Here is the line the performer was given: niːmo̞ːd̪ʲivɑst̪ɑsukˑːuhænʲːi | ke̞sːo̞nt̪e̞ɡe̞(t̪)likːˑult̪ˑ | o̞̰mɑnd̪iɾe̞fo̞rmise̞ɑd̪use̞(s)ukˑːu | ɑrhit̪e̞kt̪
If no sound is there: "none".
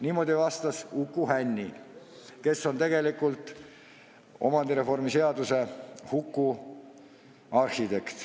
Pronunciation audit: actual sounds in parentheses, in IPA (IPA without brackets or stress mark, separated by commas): none, h